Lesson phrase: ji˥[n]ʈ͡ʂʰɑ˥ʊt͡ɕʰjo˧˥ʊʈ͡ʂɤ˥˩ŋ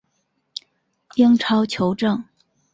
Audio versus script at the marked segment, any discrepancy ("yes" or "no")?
yes